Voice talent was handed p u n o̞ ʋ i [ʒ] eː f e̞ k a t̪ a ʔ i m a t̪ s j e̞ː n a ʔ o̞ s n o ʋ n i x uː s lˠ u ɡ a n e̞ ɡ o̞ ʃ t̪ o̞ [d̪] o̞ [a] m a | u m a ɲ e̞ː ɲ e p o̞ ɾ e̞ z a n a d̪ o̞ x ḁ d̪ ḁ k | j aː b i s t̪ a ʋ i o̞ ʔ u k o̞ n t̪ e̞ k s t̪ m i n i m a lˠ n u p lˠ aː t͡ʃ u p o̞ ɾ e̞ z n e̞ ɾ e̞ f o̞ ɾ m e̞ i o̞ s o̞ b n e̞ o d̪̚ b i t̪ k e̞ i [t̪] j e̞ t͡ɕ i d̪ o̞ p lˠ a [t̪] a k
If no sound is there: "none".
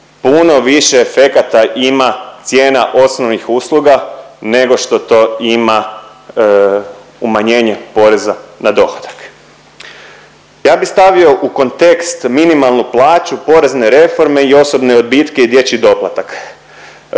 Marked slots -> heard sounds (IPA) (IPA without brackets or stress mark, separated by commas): ʃ, t̪, i, d̪, t̪